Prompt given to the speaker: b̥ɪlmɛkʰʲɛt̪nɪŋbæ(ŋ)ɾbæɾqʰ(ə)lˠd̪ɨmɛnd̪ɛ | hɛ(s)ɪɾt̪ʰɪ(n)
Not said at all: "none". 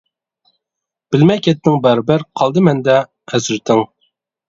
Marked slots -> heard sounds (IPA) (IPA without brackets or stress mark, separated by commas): none, ɑ, z, ŋ